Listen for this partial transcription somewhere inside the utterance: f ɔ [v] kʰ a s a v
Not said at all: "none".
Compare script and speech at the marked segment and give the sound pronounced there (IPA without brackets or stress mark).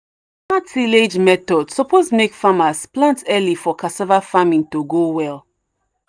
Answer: none